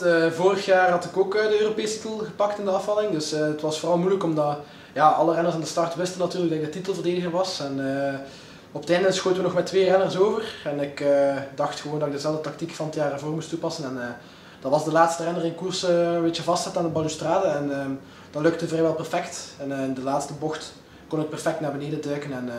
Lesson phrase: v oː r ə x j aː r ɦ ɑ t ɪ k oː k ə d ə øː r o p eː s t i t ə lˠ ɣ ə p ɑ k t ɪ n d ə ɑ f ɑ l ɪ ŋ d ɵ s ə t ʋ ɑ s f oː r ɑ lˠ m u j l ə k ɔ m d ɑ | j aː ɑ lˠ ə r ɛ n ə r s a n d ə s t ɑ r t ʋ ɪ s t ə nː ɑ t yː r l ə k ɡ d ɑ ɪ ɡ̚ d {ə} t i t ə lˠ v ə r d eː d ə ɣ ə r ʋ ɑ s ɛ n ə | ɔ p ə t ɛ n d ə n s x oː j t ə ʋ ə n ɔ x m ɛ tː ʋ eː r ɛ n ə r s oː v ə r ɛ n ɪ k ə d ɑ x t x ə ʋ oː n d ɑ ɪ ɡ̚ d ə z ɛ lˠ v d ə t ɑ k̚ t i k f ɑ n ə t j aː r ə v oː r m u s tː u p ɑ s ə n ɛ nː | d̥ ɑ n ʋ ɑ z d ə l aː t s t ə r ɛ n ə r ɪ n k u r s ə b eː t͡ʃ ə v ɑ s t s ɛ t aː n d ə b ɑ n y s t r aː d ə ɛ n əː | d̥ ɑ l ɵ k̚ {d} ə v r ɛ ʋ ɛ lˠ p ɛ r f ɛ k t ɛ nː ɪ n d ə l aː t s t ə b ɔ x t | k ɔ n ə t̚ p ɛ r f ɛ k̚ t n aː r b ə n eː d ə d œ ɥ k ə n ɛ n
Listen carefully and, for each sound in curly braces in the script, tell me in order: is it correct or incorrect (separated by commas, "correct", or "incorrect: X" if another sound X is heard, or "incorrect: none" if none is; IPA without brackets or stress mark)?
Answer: correct, incorrect: t